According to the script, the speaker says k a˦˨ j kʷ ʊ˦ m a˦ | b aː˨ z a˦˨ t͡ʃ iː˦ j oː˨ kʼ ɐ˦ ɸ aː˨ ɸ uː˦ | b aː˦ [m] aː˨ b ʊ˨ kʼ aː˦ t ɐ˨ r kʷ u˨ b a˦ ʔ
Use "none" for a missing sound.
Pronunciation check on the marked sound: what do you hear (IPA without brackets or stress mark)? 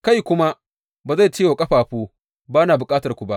n